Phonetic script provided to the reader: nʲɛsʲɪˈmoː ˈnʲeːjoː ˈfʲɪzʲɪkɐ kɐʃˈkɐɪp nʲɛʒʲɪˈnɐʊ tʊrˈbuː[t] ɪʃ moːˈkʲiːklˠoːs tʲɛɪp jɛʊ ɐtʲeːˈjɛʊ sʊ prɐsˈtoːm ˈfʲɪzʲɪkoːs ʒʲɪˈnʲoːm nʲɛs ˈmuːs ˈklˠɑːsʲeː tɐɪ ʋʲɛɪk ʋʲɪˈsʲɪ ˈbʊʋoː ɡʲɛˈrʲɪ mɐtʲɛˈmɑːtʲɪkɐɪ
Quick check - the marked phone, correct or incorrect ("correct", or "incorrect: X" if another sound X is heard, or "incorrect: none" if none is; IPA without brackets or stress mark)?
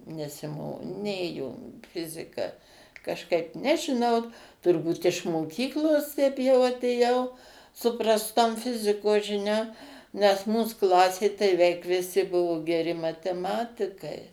correct